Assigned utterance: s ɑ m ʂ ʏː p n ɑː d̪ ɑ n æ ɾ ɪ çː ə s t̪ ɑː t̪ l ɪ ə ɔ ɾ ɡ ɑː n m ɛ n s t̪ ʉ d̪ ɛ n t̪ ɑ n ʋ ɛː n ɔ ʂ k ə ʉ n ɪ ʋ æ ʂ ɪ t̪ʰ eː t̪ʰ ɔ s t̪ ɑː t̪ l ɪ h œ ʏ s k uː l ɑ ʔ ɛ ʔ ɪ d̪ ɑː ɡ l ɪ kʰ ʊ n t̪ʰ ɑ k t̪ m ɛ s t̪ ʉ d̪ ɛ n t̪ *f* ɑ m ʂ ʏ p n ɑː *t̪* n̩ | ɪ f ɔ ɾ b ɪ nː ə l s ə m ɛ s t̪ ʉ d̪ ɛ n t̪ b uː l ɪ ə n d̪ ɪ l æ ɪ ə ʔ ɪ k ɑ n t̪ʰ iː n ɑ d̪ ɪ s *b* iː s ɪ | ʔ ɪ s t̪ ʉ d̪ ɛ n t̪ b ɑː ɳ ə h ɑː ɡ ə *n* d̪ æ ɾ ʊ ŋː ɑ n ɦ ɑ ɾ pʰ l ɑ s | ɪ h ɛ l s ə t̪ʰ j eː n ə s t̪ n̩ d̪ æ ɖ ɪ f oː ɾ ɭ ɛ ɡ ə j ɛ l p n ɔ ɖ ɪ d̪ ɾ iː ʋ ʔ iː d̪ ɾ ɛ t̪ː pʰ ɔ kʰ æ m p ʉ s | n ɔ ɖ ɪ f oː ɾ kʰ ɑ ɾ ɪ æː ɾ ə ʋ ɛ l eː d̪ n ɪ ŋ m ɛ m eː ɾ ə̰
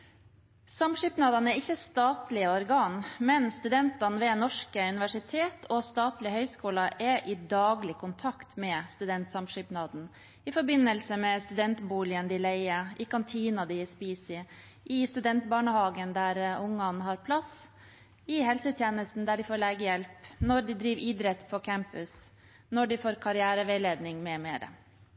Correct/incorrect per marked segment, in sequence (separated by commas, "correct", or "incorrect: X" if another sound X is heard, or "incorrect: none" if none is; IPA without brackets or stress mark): incorrect: s, incorrect: d̪, incorrect: p, correct